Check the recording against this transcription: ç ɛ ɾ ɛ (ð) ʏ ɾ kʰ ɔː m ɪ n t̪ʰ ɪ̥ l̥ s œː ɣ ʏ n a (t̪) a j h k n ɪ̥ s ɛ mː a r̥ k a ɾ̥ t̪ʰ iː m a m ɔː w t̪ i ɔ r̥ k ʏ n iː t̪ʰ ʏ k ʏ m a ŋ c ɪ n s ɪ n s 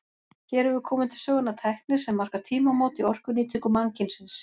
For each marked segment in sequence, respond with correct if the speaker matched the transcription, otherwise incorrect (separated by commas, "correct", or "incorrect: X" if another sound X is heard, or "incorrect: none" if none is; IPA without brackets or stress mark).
incorrect: v, incorrect: t̪ʰ